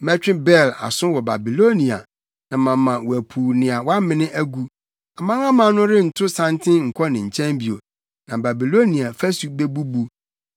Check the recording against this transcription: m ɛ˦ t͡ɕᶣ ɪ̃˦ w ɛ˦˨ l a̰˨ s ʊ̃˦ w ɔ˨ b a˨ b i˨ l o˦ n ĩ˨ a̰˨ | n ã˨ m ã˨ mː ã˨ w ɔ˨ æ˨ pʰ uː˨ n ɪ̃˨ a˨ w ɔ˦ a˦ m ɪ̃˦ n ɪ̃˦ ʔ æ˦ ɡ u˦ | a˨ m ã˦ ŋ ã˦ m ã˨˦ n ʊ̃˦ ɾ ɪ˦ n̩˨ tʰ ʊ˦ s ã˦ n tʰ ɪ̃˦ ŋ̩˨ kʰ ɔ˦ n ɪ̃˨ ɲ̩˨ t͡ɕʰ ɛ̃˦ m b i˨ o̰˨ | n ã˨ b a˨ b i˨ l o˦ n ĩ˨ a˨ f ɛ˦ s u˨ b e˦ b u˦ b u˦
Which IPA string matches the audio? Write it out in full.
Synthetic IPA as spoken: m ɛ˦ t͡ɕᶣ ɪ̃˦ b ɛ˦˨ l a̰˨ s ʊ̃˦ w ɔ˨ b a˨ b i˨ l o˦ n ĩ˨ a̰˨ | n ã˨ m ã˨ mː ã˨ w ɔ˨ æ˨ pʰ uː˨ n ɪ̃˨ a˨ w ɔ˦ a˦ m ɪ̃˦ n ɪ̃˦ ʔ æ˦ ɡ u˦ | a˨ m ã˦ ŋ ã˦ m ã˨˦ n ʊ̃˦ ɾ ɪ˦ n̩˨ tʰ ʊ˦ s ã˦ n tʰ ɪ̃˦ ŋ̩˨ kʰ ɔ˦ n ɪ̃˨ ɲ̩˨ t͡ɕʰ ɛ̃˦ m b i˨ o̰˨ | n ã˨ b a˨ b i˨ l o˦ n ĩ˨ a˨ f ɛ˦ s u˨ b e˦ b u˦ b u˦

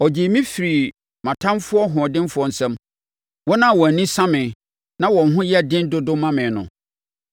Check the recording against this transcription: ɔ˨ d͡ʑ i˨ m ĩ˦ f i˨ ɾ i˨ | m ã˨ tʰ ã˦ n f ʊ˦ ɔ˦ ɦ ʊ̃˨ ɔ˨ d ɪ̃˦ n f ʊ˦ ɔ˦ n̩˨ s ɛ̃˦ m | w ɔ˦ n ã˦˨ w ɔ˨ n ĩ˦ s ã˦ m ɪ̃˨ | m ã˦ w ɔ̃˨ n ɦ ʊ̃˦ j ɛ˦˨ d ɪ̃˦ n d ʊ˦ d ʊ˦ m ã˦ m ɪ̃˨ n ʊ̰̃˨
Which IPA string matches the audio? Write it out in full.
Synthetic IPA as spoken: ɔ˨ d͡ʑ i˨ m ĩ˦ f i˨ ɾ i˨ | m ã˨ tʰ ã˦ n f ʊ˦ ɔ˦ ɦ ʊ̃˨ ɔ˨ d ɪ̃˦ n f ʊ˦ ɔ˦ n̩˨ s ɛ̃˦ m | w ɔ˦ n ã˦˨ w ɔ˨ n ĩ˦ s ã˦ m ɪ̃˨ | n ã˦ w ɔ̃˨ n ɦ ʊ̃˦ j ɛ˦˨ d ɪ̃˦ n d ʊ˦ d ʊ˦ m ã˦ m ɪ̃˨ n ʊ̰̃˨

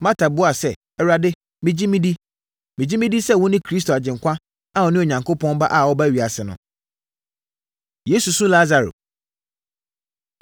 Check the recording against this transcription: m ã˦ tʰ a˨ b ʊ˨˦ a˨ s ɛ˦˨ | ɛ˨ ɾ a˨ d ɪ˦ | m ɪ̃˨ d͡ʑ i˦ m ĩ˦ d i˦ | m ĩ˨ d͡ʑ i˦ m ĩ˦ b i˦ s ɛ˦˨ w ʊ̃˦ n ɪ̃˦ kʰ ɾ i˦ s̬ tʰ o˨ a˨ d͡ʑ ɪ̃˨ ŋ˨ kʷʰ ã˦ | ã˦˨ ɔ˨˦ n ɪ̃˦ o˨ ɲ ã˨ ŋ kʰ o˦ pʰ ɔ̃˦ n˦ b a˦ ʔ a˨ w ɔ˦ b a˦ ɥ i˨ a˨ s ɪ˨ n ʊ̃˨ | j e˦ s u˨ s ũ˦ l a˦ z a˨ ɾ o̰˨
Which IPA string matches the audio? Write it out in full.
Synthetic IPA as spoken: m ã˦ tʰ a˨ b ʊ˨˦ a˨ s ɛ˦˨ | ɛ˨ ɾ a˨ d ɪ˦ | m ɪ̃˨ d͡ʑ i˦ m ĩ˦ d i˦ | m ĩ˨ d͡ʑ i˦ m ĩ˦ d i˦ s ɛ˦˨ w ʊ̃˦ n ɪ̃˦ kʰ ɾ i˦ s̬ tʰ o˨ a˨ d͡ʑ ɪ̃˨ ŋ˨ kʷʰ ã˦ | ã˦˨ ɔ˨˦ n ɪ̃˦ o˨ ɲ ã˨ ŋ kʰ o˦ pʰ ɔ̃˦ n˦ b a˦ ʔ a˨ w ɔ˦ b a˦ ɥ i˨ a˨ s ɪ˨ n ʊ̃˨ | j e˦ s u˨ s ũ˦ l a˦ z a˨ ɾ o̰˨

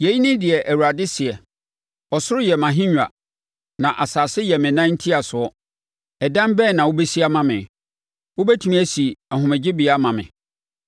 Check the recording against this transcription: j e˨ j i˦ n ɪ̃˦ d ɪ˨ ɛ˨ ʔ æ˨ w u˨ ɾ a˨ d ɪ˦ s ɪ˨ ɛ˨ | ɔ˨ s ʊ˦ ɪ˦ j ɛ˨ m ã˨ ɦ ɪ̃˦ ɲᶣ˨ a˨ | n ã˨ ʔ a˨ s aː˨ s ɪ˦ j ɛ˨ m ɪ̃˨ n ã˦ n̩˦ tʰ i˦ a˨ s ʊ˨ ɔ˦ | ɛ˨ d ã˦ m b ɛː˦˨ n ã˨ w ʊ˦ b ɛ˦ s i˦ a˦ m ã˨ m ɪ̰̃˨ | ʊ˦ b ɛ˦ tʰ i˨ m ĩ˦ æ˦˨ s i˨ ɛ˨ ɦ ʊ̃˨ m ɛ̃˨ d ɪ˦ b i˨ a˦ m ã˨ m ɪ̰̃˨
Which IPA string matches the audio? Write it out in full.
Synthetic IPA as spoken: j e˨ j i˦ n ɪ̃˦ d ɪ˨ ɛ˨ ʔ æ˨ w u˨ ɾ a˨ d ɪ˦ s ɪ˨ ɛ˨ | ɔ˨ s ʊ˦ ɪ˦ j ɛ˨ m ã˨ ɦ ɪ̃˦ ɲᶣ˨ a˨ | n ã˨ ʔ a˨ s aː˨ s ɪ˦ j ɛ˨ m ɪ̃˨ n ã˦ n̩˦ tʰ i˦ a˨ s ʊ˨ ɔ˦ | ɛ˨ d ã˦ m b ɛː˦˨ n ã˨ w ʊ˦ b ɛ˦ s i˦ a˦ m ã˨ m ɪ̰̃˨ | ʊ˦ b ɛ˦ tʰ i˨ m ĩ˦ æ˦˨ s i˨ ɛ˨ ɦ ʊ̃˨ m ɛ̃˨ d͡ʑ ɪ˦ b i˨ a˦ m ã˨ m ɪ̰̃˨

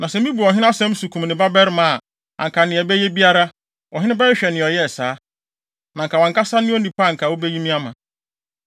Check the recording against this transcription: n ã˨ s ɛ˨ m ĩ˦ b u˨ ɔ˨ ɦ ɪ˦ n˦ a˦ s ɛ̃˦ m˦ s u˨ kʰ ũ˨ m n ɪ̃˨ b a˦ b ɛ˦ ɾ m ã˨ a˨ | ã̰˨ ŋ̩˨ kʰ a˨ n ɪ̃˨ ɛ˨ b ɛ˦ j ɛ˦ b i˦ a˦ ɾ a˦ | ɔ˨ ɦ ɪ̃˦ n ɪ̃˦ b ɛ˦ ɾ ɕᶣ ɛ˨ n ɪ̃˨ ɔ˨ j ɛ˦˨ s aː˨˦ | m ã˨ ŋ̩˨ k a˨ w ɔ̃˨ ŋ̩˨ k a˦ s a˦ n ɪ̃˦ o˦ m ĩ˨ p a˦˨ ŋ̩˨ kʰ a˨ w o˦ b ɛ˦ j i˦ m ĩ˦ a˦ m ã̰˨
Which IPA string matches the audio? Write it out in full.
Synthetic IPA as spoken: n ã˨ s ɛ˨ m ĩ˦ b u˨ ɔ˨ ɦ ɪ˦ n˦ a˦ s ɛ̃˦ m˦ s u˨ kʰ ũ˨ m n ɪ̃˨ b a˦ b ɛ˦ ɾ m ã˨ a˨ | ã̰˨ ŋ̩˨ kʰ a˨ n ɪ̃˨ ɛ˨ b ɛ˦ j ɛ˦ b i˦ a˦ ɾ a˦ | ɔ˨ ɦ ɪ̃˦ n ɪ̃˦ b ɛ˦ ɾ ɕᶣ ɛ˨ n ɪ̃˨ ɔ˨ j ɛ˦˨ s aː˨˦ | n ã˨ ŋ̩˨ k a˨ w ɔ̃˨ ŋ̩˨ k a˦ s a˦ n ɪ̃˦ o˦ n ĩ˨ p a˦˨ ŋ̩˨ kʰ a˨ w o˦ b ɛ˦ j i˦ m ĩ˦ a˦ m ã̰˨

